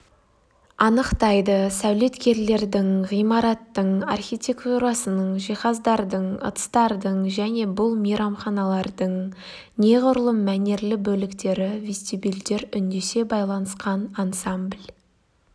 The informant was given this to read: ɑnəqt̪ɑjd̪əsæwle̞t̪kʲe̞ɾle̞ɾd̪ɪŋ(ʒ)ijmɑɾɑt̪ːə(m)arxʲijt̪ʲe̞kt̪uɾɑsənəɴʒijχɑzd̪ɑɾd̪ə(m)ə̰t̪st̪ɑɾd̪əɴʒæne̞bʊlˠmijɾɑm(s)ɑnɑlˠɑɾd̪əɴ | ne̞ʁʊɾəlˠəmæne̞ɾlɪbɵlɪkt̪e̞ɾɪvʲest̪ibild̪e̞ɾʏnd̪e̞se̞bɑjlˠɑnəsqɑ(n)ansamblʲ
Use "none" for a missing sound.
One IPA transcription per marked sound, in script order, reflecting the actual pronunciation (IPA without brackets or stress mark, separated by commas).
ʁ, ɴ, ɴ, χ, n